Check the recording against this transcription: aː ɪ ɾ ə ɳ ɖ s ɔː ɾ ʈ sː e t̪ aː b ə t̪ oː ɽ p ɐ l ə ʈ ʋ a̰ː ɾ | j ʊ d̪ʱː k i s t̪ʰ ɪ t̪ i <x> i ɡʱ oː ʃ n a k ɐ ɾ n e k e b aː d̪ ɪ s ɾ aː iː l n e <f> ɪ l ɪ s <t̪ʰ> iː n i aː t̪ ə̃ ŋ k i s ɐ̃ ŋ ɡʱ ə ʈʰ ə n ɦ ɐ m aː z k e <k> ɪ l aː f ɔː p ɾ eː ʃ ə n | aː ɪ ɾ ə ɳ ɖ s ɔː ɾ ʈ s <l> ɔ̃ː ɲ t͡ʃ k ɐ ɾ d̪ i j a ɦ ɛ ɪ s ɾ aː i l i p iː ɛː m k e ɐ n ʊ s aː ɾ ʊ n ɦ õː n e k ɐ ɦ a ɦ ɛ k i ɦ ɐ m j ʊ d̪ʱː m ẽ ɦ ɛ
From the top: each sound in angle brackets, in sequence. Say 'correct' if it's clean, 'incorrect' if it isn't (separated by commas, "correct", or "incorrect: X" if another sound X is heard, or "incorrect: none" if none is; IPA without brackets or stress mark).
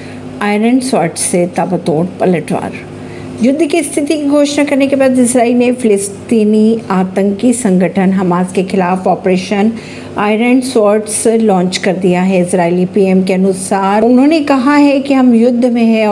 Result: incorrect: k, correct, incorrect: t̪, incorrect: x, correct